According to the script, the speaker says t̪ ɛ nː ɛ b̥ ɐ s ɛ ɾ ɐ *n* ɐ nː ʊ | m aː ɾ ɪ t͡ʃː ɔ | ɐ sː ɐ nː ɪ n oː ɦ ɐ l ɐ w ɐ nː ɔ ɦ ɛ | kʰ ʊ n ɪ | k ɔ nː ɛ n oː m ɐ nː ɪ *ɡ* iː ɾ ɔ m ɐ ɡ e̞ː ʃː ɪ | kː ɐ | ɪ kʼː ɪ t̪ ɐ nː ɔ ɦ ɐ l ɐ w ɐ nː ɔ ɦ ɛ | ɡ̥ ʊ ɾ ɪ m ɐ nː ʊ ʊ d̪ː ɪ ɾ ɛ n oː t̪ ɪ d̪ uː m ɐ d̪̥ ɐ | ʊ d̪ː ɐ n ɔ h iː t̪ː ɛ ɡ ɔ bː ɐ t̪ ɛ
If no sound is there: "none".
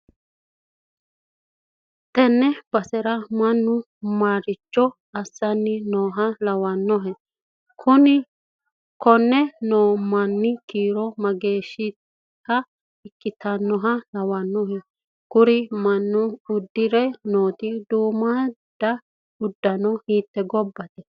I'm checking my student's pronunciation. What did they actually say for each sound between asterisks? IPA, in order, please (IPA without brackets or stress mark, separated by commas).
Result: m, k